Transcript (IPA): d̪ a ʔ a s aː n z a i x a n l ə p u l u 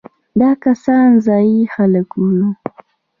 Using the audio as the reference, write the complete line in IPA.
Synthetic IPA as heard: d̪ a k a s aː n z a i x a l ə k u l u